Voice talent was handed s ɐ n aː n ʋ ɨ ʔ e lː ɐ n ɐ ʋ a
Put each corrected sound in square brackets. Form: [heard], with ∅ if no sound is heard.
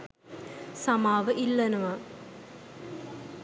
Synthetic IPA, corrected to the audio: s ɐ [m] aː [∅] ʋ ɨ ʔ [i] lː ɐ n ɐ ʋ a